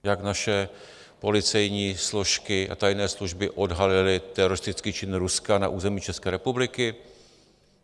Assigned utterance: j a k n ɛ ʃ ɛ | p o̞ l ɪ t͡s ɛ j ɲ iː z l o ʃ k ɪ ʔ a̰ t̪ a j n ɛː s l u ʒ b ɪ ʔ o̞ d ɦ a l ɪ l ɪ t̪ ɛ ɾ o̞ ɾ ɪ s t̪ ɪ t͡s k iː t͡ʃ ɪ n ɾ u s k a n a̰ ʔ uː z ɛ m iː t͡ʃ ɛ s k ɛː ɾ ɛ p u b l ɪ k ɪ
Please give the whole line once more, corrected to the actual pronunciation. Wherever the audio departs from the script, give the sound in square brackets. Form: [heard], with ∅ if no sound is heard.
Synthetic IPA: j a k n [a] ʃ ɛ | p o̞ l ɪ t͡s ɛ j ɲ iː [s] l o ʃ k ɪ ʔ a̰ t̪ a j n ɛː s l u ʒ b ɪ ʔ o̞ d ɦ a l ɪ l ɪ t̪ ɛ ɾ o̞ ɾ ɪ s t̪ ɪ t͡s k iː t͡ʃ ɪ n ɾ u s k a n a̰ ʔ uː z ɛ m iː t͡ʃ ɛ s k ɛː ɾ ɛ p u b l ɪ k ɪ